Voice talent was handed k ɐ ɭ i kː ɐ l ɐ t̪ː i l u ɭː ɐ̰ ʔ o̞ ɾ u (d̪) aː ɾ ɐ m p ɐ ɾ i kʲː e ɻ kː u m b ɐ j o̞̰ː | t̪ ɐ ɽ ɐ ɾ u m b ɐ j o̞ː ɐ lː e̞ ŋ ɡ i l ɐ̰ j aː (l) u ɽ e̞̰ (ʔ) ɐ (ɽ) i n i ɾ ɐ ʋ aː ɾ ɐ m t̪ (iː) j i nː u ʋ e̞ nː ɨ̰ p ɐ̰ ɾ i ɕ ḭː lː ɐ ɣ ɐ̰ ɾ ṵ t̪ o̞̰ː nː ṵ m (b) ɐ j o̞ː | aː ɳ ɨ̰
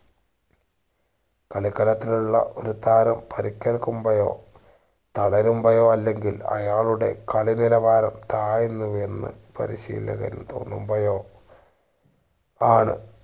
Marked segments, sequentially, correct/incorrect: incorrect: t̪, incorrect: ɭ, incorrect: k, incorrect: ɭ, incorrect: aː, correct

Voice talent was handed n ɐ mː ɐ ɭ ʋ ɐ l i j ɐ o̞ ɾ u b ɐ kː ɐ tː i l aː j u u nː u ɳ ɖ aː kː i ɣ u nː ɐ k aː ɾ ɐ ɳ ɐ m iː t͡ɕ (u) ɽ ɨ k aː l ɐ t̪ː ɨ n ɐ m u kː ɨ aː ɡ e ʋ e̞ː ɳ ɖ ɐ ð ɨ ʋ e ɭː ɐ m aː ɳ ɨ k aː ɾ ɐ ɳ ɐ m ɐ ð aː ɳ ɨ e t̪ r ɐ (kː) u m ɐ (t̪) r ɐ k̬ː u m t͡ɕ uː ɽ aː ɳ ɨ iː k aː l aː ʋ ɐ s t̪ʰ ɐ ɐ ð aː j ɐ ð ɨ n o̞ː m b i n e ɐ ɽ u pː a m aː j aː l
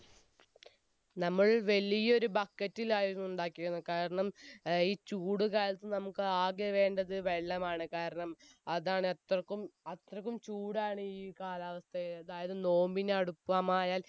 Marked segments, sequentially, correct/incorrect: incorrect: uː, correct, correct

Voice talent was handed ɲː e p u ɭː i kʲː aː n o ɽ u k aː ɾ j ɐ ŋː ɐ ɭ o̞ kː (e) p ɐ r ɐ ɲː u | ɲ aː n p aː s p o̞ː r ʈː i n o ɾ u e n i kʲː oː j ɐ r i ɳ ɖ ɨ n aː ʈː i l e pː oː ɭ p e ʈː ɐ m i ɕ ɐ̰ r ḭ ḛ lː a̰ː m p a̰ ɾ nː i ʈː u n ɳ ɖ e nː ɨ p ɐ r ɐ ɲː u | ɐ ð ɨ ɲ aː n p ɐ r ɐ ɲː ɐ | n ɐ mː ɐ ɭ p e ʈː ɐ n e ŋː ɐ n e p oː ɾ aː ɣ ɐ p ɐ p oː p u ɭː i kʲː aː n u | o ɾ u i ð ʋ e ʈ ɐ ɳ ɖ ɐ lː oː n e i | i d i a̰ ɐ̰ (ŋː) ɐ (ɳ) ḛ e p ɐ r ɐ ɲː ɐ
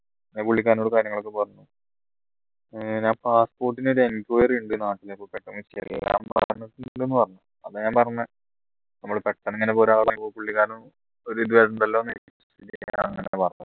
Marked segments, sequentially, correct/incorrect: correct, correct, incorrect: n

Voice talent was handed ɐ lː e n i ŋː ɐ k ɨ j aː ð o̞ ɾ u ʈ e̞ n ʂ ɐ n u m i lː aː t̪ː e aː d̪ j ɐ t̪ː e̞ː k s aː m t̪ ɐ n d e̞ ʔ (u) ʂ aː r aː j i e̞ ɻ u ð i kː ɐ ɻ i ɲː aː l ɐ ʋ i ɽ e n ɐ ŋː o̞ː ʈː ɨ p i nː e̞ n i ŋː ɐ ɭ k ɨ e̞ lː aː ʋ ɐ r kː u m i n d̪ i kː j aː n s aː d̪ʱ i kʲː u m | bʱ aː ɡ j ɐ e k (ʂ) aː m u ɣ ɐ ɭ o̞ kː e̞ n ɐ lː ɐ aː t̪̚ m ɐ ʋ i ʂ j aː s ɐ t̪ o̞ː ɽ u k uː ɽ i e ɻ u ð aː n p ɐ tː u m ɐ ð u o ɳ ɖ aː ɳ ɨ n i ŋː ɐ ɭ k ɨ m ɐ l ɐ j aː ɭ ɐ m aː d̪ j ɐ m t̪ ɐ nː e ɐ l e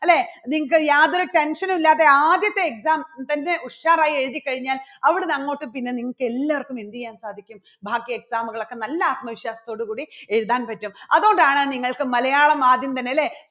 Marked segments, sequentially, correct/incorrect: correct, incorrect: s

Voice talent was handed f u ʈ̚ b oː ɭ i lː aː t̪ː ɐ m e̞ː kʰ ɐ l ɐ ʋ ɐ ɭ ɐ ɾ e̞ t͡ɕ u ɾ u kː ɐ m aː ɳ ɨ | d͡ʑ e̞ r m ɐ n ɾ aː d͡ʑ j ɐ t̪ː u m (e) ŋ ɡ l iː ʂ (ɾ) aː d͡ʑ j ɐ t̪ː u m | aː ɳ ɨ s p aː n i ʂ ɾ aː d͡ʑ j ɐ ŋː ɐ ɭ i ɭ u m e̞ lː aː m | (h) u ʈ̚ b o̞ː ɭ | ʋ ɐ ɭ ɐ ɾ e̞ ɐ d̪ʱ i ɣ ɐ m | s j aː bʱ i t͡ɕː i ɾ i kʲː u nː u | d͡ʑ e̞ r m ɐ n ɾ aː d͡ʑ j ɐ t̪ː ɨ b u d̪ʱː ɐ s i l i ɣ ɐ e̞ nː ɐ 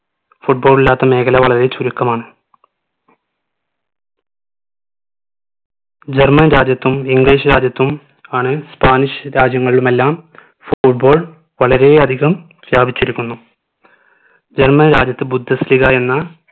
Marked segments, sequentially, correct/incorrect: incorrect: i, correct, incorrect: f

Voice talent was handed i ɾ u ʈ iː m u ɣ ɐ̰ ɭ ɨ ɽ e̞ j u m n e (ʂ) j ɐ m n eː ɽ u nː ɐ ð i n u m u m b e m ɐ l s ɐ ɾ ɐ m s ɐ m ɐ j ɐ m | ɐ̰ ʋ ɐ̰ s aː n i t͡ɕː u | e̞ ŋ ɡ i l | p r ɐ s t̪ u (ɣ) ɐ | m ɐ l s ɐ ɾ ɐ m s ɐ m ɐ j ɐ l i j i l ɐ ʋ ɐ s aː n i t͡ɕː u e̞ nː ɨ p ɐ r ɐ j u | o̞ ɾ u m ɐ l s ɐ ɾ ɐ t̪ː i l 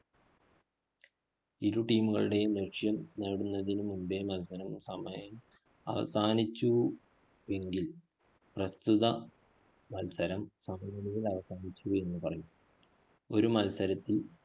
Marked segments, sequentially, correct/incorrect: correct, incorrect: ð

